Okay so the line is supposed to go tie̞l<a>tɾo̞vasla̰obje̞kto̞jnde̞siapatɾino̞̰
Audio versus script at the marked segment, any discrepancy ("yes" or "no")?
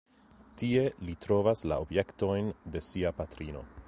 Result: yes